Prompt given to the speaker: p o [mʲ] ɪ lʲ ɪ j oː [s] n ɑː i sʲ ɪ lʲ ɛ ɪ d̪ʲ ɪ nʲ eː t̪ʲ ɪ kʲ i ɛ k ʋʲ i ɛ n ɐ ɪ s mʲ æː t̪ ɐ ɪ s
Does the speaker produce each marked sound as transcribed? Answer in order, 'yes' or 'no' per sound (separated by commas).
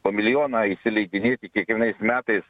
yes, no